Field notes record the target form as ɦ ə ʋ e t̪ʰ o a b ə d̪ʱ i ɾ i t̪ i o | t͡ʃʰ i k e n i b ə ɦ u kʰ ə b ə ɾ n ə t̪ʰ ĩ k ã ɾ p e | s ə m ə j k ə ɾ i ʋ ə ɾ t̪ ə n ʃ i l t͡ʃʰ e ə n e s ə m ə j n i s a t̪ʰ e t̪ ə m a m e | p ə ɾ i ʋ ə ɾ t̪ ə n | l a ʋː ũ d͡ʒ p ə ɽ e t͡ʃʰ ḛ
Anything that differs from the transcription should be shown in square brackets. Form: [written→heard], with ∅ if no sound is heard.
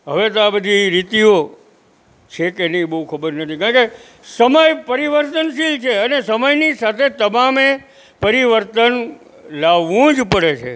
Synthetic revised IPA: ɦ ə ʋ e [t̪ʰ→t̪] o a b ə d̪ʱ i ɾ i t̪ i o | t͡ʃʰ [i→e] k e n i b ə ɦ u kʰ ə b ə ɾ n ə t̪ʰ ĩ k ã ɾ [p→k] e | s ə m ə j [k→p] ə ɾ i ʋ ə ɾ t̪ ə n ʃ i l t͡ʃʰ e ə n e s ə m ə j n i s a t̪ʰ e t̪ ə m a m e | p ə ɾ i ʋ ə ɾ t̪ ə n | l a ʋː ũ d͡ʒ p ə ɽ e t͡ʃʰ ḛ